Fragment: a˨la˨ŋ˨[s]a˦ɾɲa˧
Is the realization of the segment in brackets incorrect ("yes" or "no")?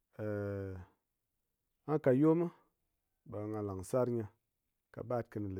no